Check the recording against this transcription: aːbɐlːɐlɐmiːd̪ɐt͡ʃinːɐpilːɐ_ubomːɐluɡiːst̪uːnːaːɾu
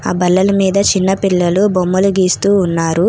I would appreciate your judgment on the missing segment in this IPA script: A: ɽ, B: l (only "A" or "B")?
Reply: B